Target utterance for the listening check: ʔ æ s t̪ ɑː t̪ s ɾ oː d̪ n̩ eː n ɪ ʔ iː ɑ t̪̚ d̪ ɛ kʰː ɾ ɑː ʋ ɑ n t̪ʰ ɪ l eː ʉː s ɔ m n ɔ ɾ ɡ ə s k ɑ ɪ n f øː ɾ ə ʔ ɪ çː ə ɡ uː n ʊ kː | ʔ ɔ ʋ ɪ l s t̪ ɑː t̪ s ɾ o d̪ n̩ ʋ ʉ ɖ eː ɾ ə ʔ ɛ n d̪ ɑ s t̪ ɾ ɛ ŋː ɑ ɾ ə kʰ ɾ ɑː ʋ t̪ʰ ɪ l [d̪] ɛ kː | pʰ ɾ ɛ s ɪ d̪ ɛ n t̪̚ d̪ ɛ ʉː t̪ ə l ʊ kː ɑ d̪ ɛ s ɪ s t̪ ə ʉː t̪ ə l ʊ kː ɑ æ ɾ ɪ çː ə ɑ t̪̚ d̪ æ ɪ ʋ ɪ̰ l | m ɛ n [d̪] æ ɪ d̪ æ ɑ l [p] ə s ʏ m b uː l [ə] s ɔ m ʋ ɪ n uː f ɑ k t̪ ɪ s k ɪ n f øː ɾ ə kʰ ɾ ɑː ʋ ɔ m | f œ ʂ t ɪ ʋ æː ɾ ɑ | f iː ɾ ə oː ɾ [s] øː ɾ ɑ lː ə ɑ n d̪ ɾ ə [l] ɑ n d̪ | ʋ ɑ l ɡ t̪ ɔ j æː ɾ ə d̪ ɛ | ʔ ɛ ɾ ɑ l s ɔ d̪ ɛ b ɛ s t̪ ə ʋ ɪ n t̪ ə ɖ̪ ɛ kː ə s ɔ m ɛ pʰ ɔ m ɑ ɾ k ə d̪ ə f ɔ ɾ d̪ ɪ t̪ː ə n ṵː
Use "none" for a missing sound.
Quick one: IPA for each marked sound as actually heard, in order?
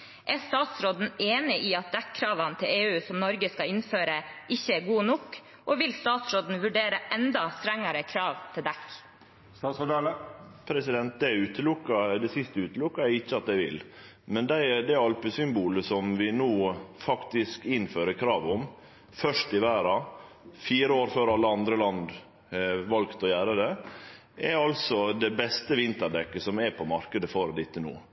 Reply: d̪, d̪, p, ə, f, l

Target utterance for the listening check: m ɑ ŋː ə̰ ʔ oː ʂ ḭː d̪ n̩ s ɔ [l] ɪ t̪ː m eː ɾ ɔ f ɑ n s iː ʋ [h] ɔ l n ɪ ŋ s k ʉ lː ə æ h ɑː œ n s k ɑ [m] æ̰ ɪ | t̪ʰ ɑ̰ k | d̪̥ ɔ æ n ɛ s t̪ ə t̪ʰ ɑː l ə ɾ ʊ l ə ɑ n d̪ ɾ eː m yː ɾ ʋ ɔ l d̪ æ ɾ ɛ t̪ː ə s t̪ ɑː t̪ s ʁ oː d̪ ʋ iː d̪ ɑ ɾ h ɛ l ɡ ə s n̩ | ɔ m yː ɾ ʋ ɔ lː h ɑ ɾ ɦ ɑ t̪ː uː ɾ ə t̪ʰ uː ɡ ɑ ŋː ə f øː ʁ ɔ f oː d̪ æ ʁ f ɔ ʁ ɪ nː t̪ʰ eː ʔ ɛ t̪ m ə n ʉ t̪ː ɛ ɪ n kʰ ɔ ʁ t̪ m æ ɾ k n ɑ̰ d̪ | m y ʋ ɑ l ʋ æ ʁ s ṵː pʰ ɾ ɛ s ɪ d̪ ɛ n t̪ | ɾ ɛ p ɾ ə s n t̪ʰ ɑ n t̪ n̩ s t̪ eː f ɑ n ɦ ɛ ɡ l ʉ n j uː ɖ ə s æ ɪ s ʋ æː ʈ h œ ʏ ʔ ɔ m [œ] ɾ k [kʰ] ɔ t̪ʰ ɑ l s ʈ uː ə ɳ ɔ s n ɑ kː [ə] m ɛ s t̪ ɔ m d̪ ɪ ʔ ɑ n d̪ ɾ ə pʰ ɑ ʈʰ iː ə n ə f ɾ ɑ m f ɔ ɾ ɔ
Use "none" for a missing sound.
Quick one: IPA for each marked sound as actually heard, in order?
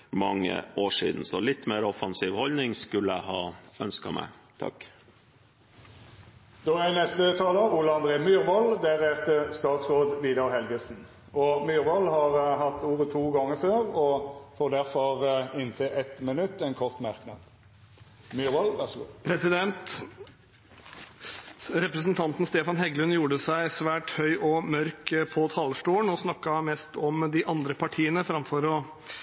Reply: l, h, m, œ, pʰ, ɑ

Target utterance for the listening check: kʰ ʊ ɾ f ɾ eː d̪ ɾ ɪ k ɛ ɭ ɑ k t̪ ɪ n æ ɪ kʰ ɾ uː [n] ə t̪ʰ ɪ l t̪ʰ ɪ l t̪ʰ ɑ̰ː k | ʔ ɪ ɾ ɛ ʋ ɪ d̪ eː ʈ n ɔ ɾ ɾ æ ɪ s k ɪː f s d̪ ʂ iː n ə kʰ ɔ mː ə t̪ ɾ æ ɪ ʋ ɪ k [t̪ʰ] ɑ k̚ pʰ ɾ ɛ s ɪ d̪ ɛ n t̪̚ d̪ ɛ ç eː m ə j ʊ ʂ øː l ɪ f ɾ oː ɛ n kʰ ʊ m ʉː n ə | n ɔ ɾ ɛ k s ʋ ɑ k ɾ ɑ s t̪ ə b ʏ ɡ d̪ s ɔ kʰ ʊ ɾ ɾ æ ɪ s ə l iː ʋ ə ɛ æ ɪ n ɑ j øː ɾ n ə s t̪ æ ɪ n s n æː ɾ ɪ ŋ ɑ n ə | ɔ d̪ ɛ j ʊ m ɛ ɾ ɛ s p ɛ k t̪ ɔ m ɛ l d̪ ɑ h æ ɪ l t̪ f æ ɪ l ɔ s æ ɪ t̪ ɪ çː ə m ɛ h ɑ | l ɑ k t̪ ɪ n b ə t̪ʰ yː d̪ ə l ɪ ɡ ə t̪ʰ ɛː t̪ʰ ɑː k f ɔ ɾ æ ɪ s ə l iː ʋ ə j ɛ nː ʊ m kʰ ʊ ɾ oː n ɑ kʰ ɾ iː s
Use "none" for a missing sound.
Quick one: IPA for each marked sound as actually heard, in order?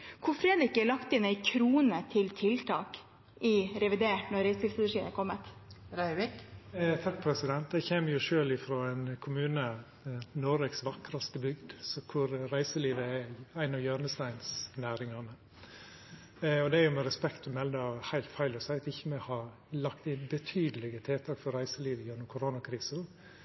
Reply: n, t̪ʰ

